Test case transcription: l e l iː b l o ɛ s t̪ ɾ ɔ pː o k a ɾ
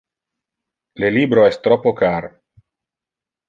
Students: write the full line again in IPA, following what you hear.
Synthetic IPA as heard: l e l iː b ɾ o ɛ s t̪ ɾ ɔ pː o k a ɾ